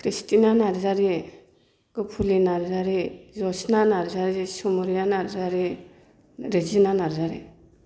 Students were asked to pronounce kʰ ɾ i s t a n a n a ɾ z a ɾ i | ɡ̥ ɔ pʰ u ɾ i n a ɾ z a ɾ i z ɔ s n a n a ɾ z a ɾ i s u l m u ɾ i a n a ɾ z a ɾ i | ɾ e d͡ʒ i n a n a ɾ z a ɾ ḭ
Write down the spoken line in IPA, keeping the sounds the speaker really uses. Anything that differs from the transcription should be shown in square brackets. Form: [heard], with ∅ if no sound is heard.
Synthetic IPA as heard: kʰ ɾ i s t [i] n a n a ɾ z a ɾ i | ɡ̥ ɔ pʰ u [l] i n a ɾ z a ɾ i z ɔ s n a n a ɾ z a ɾ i s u [∅] m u ɾ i a n a ɾ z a ɾ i | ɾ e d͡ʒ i n a n a ɾ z a ɾ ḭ